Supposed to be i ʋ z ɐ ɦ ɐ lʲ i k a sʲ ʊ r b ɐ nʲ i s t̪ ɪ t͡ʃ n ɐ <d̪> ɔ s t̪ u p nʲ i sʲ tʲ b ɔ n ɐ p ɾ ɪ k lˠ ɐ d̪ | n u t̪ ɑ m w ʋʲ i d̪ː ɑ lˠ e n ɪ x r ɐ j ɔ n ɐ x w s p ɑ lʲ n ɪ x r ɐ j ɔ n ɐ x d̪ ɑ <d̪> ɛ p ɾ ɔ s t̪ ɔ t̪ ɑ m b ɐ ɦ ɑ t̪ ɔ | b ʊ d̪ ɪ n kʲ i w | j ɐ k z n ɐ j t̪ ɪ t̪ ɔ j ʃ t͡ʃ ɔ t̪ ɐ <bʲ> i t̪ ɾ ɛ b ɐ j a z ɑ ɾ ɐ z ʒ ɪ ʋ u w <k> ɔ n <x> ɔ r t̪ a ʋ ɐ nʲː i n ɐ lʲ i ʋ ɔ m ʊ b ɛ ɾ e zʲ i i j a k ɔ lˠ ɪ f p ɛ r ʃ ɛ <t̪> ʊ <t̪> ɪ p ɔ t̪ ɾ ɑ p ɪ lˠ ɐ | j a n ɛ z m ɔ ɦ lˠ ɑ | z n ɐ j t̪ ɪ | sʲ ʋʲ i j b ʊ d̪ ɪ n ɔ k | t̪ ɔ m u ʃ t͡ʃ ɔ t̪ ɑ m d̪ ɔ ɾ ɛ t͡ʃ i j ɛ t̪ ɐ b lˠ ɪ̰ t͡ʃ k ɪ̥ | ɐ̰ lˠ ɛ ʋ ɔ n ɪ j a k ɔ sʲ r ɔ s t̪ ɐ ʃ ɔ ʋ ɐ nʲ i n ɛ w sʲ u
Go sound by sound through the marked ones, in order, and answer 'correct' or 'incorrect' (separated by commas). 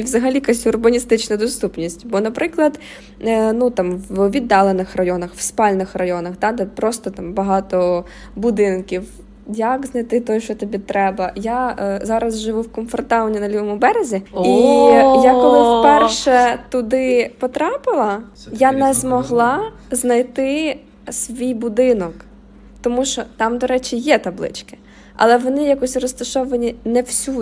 correct, correct, correct, correct, incorrect, correct, incorrect